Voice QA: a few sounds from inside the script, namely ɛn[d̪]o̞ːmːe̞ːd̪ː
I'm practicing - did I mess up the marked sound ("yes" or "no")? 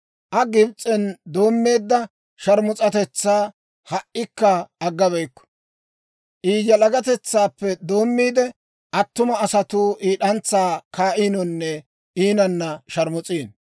no